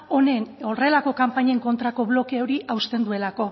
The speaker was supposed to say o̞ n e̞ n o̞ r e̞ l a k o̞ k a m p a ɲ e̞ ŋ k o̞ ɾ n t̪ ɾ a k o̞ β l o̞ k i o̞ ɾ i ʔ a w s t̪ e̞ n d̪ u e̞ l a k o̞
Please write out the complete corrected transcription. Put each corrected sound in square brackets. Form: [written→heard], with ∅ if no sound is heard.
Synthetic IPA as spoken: o̞ n e̞ n o̞ r e̞ l a k o̞ k a m p a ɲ e̞ ŋ k o̞ [ɾ→∅] n t̪ ɾ a k o̞ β l o̞ k [i→e] o̞ ɾ i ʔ a w s t̪ e̞ n d̪ u e̞ l a k o̞